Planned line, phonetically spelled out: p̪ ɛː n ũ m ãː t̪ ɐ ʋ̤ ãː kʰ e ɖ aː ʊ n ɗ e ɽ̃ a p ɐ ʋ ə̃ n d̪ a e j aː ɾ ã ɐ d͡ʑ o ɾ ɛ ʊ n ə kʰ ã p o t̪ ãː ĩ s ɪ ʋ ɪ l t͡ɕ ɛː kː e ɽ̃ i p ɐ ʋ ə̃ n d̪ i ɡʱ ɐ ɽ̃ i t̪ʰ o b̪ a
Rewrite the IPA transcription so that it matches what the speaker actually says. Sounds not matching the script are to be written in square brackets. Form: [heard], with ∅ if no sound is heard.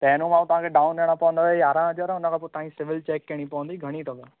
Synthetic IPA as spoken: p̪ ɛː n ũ m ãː t̪ ɐ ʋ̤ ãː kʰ e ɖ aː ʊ n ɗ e ɽ̃ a p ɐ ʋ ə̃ n d̪ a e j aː ɾ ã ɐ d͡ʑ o ɾ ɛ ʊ n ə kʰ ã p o t̪ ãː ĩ s ɪ ʋ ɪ l t͡ɕ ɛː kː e ɽ̃ i p ɐ ʋ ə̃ n d̪ i ɡʱ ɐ ɽ̃ i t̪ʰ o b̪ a